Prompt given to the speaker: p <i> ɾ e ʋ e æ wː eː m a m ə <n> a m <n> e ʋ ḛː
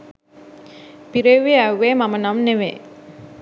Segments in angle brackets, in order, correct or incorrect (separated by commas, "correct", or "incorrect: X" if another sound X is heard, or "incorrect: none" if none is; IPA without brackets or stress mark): correct, correct, correct